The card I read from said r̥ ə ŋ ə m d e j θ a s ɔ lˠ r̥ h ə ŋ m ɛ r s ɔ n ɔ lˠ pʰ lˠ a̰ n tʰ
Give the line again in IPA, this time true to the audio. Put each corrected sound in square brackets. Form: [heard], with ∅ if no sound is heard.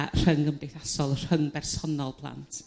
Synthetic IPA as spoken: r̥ ə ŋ ə m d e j θ a s ɔ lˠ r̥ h ə ŋ [b] ɛ r s ɔ n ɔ lˠ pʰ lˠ a̰ n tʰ